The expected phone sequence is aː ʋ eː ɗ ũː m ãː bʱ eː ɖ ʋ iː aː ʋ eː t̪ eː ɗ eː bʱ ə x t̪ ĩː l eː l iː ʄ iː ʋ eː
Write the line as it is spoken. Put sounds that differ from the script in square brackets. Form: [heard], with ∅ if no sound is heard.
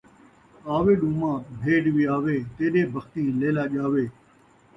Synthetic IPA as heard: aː ʋ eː ɗ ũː m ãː bʱ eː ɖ ʋ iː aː ʋ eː t̪ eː ɗ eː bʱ ə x t̪ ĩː l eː l [aː] ʄ [aː] ʋ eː